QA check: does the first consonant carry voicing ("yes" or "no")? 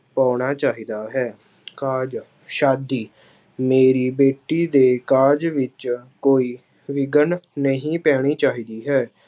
no